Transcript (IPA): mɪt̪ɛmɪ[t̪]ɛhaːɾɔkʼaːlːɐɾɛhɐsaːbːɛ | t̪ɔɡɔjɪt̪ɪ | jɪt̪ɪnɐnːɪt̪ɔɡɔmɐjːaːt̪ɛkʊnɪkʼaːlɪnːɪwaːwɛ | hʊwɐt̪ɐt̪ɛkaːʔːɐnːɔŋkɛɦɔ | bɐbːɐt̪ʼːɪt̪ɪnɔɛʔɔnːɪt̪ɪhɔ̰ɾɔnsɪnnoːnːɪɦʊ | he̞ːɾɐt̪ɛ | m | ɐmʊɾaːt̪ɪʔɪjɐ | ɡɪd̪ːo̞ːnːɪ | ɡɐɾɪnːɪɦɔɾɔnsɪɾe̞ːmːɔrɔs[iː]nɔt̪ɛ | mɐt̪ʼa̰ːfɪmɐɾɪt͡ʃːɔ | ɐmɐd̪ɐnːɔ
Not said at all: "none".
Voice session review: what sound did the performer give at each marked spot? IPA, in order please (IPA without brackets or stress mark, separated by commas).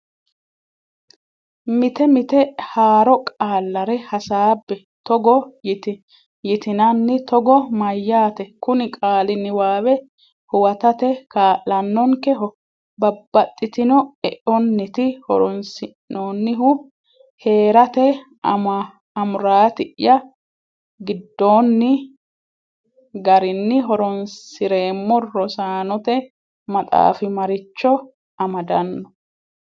t̪, aː